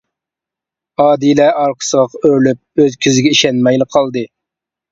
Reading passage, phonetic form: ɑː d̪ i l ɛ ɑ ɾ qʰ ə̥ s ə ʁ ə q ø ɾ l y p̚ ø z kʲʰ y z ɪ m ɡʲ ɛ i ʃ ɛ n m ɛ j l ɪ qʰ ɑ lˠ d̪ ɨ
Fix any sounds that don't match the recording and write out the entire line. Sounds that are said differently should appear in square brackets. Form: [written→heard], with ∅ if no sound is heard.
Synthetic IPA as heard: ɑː d̪ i l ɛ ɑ ɾ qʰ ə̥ s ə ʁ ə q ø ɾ l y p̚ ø z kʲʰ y z ɪ [m→∅] ɡʲ ɛ i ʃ ɛ n m ɛ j l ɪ qʰ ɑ lˠ d̪ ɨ